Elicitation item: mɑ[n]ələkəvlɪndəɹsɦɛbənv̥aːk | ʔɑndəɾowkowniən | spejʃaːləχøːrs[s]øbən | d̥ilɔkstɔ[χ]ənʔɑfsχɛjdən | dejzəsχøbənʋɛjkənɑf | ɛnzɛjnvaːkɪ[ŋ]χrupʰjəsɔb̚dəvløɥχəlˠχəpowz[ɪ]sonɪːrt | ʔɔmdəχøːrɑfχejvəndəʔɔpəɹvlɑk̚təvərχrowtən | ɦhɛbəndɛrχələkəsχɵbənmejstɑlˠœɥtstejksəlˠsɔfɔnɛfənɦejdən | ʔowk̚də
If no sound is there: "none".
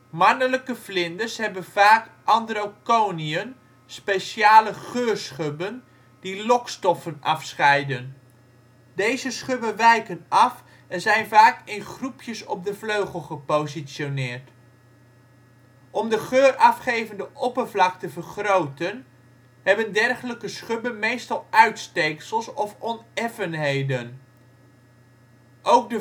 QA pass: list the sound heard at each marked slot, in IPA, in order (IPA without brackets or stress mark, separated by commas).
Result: n, χ, f, n, i